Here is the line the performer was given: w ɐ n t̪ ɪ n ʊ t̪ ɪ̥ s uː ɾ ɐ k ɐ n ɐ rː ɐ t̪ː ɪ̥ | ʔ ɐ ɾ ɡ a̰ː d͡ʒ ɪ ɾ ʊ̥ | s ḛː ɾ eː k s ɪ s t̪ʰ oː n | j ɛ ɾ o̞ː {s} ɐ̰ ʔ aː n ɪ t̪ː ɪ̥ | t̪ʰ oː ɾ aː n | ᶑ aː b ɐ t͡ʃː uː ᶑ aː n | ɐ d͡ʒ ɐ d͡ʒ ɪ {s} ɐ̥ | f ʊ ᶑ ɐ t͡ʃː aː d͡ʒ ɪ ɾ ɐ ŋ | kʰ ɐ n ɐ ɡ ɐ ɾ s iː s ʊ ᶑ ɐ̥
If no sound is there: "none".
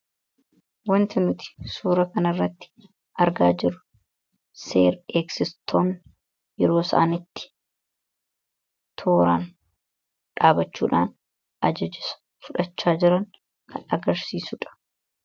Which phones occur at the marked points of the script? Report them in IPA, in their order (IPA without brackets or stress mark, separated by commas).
s, s